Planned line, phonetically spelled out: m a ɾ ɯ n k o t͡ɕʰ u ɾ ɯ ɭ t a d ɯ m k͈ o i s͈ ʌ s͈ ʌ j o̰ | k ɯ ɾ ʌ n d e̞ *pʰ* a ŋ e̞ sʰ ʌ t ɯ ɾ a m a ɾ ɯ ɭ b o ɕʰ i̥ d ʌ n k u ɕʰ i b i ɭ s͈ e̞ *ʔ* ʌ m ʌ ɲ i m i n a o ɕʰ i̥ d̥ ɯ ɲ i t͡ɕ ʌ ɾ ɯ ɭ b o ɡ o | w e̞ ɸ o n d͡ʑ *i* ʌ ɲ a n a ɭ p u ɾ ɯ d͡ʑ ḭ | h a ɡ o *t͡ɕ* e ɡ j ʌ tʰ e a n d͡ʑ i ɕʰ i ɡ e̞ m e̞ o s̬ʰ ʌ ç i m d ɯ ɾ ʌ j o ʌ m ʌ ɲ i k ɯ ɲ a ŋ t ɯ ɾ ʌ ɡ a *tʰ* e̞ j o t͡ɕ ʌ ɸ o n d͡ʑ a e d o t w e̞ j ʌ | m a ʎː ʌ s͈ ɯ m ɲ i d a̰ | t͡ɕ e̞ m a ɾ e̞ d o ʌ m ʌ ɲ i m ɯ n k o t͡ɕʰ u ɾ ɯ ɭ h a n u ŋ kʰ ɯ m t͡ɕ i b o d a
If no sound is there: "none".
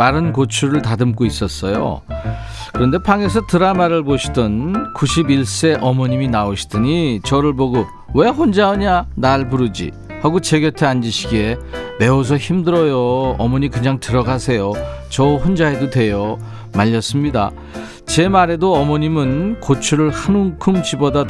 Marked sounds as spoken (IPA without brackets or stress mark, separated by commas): pʰ, ʔ, a, t͡ɕ, sʰ